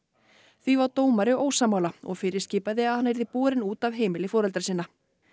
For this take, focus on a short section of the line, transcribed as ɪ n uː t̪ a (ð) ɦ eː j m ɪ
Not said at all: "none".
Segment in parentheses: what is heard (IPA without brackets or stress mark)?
v